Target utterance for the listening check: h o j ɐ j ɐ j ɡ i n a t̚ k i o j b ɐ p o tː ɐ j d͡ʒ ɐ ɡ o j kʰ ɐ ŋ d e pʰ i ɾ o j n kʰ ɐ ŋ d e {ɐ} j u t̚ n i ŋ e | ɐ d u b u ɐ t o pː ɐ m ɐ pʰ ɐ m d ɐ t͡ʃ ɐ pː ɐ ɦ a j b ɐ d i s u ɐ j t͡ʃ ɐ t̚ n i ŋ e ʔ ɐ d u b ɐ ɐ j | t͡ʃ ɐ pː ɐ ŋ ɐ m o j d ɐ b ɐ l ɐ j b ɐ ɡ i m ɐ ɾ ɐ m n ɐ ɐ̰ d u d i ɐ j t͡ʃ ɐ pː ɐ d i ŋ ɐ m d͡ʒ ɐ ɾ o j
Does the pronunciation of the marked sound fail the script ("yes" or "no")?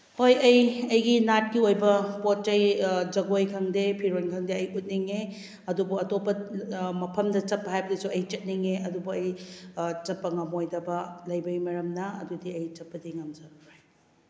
no